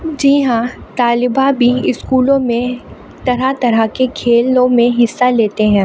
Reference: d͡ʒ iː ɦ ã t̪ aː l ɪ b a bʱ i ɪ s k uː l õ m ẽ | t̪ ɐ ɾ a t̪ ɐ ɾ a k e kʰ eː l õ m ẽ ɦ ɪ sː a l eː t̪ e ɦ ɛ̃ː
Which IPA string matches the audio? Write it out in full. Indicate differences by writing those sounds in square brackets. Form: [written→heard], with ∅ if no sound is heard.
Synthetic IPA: d͡ʒ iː ɦ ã t̪ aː l ɪ b a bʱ i ɪ s k uː l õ m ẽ | t̪ ɐ ɾ a t̪ ɐ ɾ a k e kʰ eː l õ m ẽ ɦ ɪ sː a l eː t̪ e ɦ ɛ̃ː